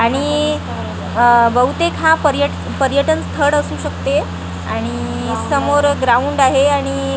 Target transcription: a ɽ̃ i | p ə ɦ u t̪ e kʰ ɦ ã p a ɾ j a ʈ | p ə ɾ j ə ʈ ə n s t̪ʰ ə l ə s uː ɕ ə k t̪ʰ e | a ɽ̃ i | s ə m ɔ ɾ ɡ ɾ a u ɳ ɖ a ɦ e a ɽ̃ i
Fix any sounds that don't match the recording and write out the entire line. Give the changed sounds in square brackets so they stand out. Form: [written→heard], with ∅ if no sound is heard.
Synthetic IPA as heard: a ɽ̃ i | [p→b] ə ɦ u t̪ e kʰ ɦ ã p [a→ə] ɾ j [a→ə] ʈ | p ə ɾ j ə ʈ ə n s t̪ʰ ə [l→ɽ] ə s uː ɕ ə k [t̪ʰ→t̪] e | a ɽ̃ i | s ə m [ɔ→o] ɾ ɡ ɾ a u ɳ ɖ a ɦ e a ɽ̃ i